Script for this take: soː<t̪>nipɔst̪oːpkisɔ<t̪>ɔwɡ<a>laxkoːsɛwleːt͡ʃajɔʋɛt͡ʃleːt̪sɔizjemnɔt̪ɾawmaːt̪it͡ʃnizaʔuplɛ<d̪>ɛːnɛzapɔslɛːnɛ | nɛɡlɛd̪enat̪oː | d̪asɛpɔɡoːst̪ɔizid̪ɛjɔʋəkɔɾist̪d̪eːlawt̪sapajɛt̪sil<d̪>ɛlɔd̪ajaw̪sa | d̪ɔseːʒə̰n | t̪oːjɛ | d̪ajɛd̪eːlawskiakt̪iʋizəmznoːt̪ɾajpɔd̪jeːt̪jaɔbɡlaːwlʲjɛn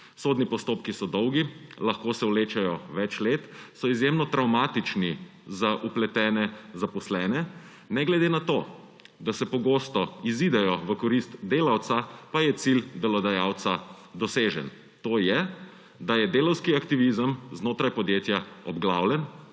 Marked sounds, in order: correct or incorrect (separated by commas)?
incorrect, incorrect, incorrect, incorrect, correct